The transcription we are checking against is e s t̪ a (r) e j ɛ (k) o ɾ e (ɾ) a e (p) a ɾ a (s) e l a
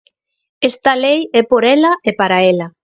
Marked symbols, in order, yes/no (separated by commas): no, no, no, yes, no